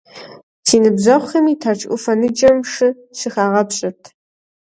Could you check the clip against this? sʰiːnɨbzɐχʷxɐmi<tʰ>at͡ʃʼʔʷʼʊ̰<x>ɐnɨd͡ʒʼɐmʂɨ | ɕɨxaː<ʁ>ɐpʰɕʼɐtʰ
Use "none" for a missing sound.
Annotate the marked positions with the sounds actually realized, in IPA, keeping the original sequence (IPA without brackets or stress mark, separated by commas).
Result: tʰ, f, ʁ